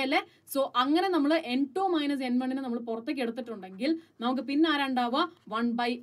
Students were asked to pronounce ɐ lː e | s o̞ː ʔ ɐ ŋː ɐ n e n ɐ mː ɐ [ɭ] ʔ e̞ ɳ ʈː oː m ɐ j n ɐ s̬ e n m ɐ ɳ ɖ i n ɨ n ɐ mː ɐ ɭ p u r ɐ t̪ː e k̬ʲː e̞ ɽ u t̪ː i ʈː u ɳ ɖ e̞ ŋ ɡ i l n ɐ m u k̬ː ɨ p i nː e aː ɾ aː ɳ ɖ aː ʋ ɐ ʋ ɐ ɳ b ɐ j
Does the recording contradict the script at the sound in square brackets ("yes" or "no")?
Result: no